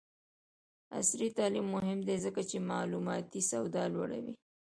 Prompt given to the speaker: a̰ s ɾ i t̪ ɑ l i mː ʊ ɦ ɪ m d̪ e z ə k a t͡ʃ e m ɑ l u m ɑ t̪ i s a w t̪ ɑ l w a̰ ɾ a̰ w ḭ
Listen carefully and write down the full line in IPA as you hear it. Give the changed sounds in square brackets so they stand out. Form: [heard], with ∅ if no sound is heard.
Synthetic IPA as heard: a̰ s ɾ i t̪ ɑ l i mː ʊ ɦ ɪ m d̪ e z ə k a t͡ʃ e m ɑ l u m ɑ t̪ i s a w [d̪] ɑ l w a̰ [ɽ] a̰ w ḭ